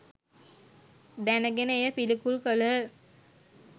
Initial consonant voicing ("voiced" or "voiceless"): voiced